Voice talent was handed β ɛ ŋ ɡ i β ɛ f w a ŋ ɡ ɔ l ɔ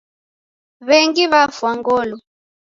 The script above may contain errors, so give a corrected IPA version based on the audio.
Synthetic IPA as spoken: β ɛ ŋ ɡ i β a f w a ŋ ɡ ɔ l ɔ